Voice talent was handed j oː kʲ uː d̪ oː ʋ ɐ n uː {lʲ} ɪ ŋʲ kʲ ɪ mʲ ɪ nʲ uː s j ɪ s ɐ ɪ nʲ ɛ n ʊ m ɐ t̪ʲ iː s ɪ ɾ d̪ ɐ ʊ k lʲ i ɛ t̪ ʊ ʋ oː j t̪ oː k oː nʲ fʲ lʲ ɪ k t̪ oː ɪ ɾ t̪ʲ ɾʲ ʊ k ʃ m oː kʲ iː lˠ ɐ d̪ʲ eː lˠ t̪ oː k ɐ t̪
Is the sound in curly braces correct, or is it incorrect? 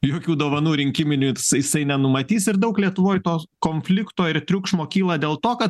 incorrect: ɾʲ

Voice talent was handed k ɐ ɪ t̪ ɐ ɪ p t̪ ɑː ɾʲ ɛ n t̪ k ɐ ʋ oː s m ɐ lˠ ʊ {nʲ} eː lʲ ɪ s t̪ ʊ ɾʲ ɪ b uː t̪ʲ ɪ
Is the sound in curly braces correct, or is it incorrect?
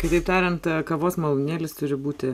correct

